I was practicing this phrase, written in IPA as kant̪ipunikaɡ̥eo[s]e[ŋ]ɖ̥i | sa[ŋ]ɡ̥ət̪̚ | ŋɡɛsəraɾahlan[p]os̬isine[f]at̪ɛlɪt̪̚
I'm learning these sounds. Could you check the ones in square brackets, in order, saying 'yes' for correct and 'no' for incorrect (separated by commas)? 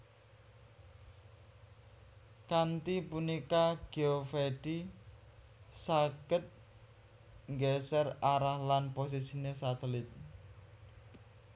no, no, no, yes, no